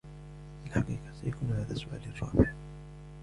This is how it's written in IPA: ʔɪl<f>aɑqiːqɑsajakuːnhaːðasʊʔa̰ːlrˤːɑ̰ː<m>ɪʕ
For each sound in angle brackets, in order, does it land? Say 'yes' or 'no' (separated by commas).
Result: no, no